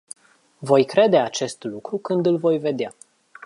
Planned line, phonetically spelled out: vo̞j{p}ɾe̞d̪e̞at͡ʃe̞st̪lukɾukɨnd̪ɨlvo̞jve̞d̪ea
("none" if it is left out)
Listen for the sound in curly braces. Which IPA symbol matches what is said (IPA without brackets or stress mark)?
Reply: k